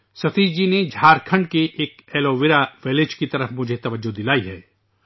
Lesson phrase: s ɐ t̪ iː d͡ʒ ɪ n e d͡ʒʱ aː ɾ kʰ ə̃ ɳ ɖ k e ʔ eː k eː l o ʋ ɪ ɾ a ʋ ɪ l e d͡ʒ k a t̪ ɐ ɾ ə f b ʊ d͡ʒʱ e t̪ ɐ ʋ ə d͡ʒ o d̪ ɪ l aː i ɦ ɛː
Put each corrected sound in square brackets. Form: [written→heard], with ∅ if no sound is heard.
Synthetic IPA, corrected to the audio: s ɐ t̪ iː d͡ʒ [ɪ→i] n e d͡ʒʱ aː ɾ kʰ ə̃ ɳ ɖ k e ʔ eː k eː l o ʋ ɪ ɾ a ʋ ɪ l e d͡ʒ k [a→i] t̪ ɐ ɾ ə f [b→m] ʊ d͡ʒʱ e t̪ ɐ ʋ ə d͡ʒ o d̪ ɪ l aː i ɦ ɛː

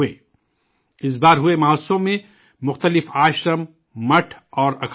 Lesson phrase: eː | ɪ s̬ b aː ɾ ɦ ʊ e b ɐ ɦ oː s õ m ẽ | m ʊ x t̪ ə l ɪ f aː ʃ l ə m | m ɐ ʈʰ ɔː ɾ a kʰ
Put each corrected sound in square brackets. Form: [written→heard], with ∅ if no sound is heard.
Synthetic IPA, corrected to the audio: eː | ɪ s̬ b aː ɾ ɦ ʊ e [b→m] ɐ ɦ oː s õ m ẽ | m ʊ x t̪ ə l ɪ f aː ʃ [l→ɾ] ə m | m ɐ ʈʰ ɔː ɾ [a→ɐ] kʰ

